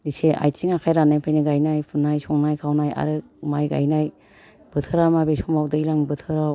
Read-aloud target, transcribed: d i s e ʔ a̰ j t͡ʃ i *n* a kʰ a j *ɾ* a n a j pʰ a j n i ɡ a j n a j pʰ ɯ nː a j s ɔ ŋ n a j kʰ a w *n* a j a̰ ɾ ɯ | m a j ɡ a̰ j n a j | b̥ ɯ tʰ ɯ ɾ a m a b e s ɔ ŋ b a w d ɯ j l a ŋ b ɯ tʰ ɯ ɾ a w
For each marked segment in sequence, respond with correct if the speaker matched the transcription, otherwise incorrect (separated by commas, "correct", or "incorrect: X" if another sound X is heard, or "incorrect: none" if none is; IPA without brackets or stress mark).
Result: incorrect: ŋ, correct, correct